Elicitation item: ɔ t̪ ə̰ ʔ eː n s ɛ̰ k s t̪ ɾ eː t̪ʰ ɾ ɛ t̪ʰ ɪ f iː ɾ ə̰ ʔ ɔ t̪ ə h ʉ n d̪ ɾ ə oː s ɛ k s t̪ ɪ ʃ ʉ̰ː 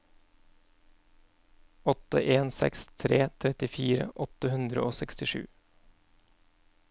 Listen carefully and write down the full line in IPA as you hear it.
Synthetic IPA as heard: ɔ t̪ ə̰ ʔ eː n s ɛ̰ k s t̪ʰ ɾ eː t̪ʰ ɾ ɛ t̪ ɪ f iː ɾ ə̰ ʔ ɔ t̪ ə h ʉ n d̪ ɾ ə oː s ɛ k s t̪ ɪ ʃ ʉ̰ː